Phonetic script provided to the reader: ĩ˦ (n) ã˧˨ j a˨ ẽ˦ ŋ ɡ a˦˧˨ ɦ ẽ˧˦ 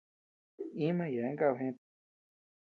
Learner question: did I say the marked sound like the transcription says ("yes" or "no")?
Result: no